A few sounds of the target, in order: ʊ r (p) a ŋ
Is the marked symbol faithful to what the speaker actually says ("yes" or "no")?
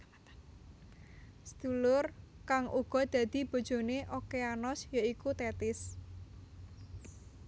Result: no